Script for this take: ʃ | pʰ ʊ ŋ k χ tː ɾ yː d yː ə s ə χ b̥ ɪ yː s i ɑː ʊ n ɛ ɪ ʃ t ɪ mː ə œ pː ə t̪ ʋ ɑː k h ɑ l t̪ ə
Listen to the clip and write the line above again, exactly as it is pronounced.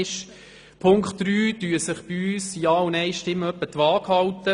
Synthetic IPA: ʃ | pʰ ʊ ŋ k χ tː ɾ yː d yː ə s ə χ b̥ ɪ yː s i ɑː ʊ n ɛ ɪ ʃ t ɪ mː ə œ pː ə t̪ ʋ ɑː k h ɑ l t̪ ə